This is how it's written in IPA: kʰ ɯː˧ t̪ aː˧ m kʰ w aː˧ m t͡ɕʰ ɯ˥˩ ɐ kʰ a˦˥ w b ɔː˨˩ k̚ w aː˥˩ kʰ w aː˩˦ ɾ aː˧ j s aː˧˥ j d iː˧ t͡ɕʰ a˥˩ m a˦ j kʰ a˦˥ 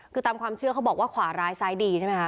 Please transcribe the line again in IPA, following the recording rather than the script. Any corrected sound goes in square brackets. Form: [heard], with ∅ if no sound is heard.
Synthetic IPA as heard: kʰ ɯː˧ t̪ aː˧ m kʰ w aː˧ m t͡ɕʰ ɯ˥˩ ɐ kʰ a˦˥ w b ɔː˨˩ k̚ w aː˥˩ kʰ w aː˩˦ ɾ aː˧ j s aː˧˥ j d iː˧ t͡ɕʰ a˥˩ m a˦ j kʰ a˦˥